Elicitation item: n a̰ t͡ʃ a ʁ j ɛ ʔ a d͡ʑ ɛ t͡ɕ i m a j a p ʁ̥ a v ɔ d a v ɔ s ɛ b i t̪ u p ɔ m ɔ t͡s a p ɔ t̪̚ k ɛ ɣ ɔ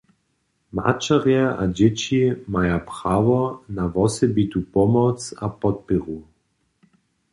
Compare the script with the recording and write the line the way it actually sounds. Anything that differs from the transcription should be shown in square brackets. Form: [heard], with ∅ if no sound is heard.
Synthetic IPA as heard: [m] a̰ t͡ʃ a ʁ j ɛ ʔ a d͡ʑ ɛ t͡ɕ i m a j a p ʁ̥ a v ɔ [n] a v ɔ s ɛ b i t̪ u p ɔ m ɔ t͡s a p ɔ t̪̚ [p] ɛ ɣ [u]